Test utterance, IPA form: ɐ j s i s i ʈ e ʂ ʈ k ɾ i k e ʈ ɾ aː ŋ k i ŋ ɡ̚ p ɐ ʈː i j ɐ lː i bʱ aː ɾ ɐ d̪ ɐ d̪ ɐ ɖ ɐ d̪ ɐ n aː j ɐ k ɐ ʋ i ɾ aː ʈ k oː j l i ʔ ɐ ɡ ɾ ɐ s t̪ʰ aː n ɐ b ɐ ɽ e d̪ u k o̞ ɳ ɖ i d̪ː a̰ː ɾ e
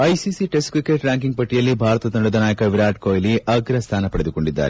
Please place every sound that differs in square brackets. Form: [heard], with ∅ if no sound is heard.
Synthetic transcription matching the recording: ɐ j s i s i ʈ e [s] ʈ k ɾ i k e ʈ ɾ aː ŋ k i ŋ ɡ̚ p ɐ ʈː i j ɐ lː i bʱ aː ɾ ɐ [t̪] ɐ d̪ ɐ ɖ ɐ d̪ ɐ n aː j ɐ k ɐ ʋ i ɾ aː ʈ k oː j l i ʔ ɐ ɡ ɾ ɐ s t̪ʰ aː n ɐ [p] ɐ ɽ e d̪ u k o̞ ɳ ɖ i d̪ː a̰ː ɾ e